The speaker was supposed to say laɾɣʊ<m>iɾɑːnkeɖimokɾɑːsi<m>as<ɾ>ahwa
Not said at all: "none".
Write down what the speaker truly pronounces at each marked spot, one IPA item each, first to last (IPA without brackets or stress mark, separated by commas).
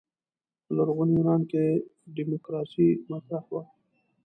n, m, ɾ